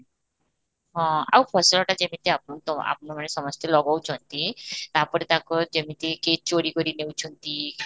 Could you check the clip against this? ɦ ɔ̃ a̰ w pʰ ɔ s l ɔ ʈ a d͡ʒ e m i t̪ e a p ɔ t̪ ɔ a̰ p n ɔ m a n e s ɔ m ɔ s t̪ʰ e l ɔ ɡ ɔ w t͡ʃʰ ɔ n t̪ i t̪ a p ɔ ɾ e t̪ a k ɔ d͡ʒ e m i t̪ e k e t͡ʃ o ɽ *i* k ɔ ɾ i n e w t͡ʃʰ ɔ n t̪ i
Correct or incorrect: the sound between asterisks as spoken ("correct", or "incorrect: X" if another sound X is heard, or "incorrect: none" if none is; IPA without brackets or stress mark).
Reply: correct